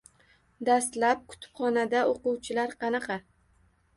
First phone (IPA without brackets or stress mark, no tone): d̪